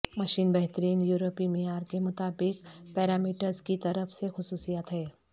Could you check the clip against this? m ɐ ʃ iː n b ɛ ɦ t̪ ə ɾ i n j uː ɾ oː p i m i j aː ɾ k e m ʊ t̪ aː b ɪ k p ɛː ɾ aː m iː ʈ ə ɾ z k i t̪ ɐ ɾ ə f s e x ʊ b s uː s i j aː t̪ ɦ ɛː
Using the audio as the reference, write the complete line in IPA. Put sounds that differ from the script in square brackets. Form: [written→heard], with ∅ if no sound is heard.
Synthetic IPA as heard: m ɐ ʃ iː n b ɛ ɦ t̪ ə ɾ [i→iː] n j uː ɾ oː p i m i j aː ɾ k e m ʊ t̪ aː b ɪ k p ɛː ɾ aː m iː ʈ ə ɾ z k i t̪ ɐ ɾ ə f s e x ʊ [b→∅] s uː s i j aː t̪ ɦ ɛː